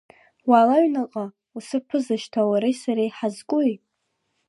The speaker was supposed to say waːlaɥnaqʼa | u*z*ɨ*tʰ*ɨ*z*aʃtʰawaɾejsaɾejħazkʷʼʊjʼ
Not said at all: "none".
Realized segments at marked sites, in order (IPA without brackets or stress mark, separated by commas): s, pʰ, z